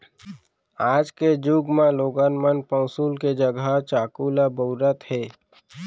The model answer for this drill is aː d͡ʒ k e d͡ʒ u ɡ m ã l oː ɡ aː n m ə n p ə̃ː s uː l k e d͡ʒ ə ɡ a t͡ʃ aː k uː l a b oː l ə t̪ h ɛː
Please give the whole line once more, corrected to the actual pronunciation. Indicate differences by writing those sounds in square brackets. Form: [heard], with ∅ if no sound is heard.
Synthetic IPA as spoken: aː d͡ʒ k e d͡ʒ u ɡ m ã l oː ɡ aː n m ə n p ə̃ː s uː l k e d͡ʒ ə ɡ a t͡ʃ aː k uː l a b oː [ɾ] ə t̪ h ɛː

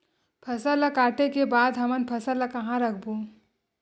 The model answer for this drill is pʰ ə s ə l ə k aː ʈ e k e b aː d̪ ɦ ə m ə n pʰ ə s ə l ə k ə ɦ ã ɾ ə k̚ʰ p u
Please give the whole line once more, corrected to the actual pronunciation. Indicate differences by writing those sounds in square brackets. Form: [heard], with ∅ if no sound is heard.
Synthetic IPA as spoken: pʰ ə s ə l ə k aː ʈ e k e b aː d̪ ɦ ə m ə n pʰ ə s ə l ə k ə ɦ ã ɾ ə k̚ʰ [b] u

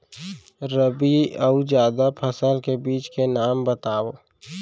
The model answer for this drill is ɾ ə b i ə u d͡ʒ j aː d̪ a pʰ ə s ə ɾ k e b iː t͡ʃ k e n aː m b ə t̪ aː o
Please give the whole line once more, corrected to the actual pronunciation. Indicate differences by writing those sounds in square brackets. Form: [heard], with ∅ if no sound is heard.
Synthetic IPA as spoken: ɾ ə b i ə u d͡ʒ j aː d̪ a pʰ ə s ə [l] k e b iː t͡ʃ k e n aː m b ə t̪ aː o

